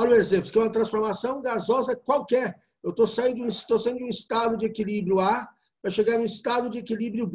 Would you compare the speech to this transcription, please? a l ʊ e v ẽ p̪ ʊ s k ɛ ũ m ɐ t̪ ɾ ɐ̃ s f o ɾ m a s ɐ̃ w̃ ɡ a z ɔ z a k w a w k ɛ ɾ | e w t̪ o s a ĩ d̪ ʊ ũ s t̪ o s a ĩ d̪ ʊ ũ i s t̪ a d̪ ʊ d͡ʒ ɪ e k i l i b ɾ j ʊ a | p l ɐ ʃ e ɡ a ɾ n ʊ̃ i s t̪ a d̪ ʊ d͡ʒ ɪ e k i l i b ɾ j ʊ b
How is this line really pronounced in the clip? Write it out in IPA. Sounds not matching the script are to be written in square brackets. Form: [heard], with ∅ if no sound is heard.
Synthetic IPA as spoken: a l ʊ e [z] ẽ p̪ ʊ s k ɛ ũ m ɐ t̪ ɾ ɐ̃ s f o ɾ m a s ɐ̃ w̃ ɡ a z ɔ z [ɐ] k w a w k ɛ ɾ | e w t̪ o s a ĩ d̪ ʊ ũ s t̪ o s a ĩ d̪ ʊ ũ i s t̪ a d̪ ʊ d͡ʒ ɪ e k i l i b ɾ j ʊ a | p [ɾ] ɐ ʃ e ɡ a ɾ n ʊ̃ i s t̪ a d̪ ʊ d͡ʒ ɪ e k i l i b ɾ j ʊ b

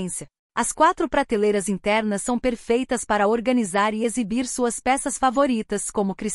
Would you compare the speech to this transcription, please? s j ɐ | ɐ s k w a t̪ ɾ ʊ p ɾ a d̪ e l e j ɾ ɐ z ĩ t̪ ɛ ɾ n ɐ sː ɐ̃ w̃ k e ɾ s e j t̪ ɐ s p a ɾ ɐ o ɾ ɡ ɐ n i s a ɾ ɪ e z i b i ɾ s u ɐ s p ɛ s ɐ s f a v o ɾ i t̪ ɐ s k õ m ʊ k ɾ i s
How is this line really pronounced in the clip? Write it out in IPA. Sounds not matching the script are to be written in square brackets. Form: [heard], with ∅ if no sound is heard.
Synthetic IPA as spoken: s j ɐ | ɐ s k w a t̪ ɾ ʊ p ɾ a [t̪] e l e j ɾ ɐ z ĩ t̪ ɛ ɾ n ɐ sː ɐ̃ w̃ [p] e ɾ [f] e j t̪ ɐ s p a ɾ ɐ o ɾ ɡ ɐ n i [z] a ɾ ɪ e z i b i ɾ s u ɐ s p ɛ s ɐ s f a v o ɾ i t̪ ɐ s k õ m ʊ k ɾ i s

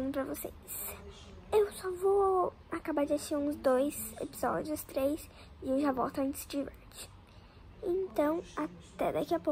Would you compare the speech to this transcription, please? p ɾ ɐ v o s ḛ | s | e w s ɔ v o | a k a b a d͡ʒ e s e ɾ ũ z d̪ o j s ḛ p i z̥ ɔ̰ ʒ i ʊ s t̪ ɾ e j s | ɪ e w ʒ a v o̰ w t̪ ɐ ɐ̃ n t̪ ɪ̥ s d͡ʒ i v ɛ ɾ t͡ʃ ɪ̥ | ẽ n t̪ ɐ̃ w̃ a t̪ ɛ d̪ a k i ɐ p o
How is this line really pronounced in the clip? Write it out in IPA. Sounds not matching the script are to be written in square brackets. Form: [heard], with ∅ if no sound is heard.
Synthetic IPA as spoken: p ɾ ɐ v o s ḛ | s | e w s ɔ v o | a k a b a d͡ʒ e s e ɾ ũ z d̪ o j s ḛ p i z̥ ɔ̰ [d͡ʒ] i ʊ s t̪ ɾ e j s | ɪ e w ʒ a v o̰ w t̪ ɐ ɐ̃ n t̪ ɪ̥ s d͡ʒ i v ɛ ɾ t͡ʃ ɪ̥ | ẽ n t̪ ɐ̃ w̃ a t̪ ɛ d̪ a k i ɐ p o

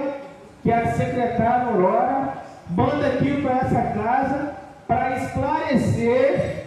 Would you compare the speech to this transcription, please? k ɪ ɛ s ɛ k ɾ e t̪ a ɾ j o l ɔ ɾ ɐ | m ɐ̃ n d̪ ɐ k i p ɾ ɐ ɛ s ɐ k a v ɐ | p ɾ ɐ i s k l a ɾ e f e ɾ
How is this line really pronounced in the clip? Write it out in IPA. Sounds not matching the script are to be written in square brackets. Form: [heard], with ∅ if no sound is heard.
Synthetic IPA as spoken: k ɪ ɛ s [e] k ɾ e t̪ a ɾ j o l ɔ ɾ ɐ | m ɐ̃ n d̪ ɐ k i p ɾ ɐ ɛ s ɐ k a [z] ɐ | p ɾ ɐ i s k l a ɾ e [s] e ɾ

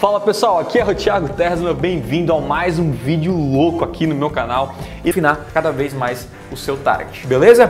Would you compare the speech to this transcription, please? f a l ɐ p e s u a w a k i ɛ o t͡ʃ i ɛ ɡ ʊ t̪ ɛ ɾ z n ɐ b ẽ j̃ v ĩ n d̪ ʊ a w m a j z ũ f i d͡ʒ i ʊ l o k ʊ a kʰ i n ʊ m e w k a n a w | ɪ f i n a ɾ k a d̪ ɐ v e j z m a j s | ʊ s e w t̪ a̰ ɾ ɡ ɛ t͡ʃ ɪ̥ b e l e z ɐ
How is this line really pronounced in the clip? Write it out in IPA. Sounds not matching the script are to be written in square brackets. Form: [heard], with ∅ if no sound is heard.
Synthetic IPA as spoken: f a l ɐ p e s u a w a k i ɛ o t͡ʃ i [a] ɡ ʊ t̪ ɛ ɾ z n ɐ b ẽ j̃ v ĩ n d̪ ʊ a w m a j z ũ [v] i d͡ʒ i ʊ l o k ʊ a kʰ i n ʊ m e w k a n a w | ɪ f i n a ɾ k a d̪ ɐ v e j z m a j s | ʊ s e w t̪ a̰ ɾ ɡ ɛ t͡ʃ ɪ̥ b e l e z ɐ

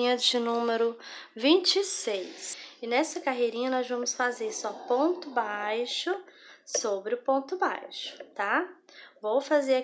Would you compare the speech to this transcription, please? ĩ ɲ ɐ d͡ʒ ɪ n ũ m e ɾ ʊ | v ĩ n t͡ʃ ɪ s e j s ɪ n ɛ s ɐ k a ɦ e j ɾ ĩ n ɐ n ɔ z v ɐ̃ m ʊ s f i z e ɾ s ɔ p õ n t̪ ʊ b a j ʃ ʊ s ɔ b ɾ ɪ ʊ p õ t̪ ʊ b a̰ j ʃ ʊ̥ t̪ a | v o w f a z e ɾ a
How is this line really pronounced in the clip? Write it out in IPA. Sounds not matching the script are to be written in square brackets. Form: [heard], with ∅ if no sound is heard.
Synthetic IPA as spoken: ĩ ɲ ɐ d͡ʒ ɪ n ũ m e ɾ ʊ | v ĩ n t͡ʃ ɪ s e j s ɪ n ɛ s ɐ k a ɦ e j ɾ ĩ [ɲ] ɐ n ɔ z v ɐ̃ m ʊ s f [a] z e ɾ s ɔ p õ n t̪ ʊ b a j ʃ ʊ s [o] b ɾ ɪ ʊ p õ t̪ ʊ b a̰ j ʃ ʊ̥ t̪ a | v o w f a z e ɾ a

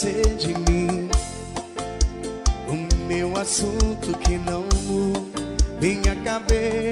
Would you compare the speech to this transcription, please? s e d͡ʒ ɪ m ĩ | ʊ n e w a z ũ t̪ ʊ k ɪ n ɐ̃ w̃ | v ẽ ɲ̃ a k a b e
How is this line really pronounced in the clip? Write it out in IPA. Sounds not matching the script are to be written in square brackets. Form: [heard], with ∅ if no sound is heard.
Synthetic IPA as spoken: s e d͡ʒ ɪ m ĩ | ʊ [m] e w a [s] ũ t̪ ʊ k ɪ n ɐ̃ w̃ | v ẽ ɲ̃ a k a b e

